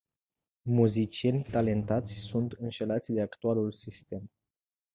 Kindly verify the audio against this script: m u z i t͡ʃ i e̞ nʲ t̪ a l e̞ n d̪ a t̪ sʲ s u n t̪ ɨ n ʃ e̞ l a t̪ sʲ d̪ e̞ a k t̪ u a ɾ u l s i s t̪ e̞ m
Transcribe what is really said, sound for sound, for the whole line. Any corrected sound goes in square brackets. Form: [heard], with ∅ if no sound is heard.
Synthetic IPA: m u z i t͡ʃ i e̞ nʲ t̪ a l e̞ n [t̪] a t̪ sʲ s u n t̪ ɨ n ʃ e̞ l a t̪ sʲ d̪ e̞ a k t̪ u a [l] u l s i s t̪ e̞ m